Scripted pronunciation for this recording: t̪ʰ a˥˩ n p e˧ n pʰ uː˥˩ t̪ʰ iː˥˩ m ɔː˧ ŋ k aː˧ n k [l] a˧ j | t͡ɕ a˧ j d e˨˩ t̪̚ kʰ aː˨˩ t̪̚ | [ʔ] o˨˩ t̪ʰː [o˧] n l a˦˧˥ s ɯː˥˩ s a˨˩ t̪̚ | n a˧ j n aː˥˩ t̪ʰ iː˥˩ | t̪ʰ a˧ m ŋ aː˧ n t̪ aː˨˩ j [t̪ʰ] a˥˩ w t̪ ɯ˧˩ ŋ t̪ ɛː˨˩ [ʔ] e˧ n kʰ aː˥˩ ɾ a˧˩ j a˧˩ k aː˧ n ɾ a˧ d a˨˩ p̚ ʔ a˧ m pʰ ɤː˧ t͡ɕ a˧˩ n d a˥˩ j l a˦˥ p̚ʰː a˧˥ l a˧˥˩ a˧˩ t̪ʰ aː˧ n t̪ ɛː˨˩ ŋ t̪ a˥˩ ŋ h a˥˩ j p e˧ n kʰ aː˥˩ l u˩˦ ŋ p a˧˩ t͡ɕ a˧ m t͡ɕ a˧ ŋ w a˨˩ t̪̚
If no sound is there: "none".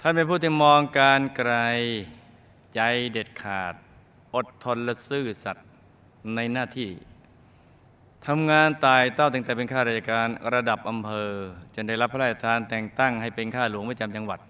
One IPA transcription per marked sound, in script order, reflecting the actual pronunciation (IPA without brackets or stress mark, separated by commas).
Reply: ɾ, ʔ, o˧, t̪, p